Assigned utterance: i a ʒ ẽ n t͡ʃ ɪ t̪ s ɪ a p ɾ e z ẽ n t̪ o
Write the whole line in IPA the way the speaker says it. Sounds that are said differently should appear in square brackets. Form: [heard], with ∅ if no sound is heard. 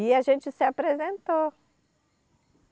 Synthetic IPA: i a ʒ ẽ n t͡ʃ ɪ [∅] s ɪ a p ɾ e z ẽ n t̪ o